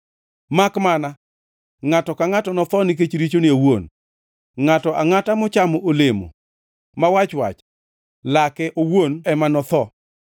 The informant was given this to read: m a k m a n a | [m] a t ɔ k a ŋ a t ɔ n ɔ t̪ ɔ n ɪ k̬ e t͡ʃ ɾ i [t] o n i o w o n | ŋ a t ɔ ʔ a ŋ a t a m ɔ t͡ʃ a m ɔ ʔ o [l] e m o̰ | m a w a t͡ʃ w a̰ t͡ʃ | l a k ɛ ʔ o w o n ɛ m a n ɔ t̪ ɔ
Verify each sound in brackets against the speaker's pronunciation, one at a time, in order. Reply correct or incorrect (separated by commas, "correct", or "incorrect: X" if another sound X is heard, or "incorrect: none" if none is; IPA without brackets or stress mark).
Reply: incorrect: ŋ, incorrect: t͡ʃ, correct